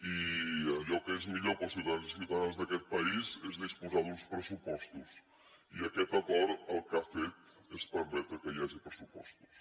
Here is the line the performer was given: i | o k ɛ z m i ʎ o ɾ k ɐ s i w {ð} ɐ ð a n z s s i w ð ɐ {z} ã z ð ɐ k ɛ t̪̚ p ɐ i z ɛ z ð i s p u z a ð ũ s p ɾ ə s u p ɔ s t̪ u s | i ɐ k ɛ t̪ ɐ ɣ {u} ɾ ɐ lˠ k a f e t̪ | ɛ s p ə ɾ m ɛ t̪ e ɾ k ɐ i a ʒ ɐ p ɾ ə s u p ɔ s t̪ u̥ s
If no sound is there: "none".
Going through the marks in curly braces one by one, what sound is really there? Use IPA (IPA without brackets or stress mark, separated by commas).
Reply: ð, ð, ɔ